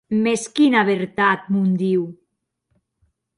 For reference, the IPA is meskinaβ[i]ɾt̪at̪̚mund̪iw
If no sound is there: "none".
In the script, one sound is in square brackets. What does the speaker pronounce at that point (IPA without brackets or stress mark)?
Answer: e